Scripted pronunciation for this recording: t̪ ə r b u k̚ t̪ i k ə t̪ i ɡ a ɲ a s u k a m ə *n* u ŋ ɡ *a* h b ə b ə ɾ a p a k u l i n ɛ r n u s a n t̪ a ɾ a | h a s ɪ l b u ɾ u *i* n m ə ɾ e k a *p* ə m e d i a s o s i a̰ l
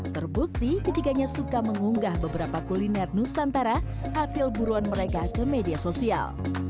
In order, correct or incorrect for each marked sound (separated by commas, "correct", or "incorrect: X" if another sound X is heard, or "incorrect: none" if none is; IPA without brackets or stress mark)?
incorrect: ŋ, correct, incorrect: a, incorrect: k